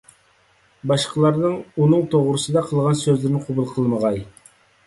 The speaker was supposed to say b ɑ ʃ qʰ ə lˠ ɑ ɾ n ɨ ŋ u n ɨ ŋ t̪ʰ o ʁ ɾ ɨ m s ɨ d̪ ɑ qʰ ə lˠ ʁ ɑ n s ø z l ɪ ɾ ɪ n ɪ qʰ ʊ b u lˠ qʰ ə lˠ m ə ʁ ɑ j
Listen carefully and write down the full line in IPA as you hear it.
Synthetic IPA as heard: b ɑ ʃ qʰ ə lˠ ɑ ɾ n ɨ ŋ u n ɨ ŋ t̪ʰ o ʁ ɾ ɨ s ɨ d̪ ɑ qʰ ə lˠ ʁ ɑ n s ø z l ɪ ɾ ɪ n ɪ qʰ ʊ b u lˠ qʰ ə lˠ m ə ʁ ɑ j